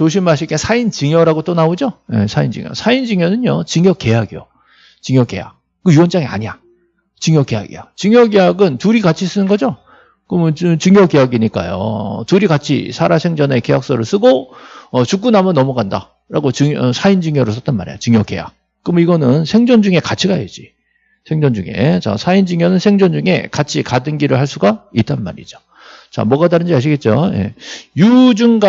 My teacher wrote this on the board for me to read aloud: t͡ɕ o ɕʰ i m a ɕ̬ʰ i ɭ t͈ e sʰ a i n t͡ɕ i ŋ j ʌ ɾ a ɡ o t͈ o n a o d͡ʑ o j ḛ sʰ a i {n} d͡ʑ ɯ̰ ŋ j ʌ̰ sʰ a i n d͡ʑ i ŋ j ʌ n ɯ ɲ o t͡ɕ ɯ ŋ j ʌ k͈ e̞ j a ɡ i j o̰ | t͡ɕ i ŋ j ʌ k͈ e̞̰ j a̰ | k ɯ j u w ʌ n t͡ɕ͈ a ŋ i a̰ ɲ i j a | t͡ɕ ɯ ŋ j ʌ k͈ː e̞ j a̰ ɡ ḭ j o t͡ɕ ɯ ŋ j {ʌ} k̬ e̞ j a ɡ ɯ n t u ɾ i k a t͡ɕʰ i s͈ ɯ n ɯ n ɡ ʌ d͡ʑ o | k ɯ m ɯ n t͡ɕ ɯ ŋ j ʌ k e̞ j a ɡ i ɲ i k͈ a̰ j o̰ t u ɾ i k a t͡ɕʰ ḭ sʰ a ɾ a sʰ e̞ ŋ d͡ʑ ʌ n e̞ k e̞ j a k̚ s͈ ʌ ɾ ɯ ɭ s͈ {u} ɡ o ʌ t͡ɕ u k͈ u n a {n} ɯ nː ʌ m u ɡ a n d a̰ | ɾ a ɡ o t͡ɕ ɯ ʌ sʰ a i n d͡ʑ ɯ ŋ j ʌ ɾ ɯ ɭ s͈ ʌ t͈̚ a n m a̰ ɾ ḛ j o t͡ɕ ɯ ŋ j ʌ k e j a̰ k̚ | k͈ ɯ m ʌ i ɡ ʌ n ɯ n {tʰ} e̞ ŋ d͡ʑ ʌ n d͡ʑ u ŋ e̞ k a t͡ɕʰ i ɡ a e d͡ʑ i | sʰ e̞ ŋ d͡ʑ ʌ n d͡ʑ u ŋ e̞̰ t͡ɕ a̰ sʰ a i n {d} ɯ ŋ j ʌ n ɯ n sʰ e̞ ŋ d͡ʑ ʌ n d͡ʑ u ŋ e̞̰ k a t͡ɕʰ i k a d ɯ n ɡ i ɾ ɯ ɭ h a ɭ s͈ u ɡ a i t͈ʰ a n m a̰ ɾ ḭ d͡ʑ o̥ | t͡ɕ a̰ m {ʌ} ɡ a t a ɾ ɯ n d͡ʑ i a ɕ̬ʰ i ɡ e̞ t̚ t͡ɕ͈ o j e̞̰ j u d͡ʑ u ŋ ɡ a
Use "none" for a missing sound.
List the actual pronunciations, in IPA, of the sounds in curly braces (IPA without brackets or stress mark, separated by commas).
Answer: n, ʌ, ɯ, m, sʰ, d͡ʑ, ʌ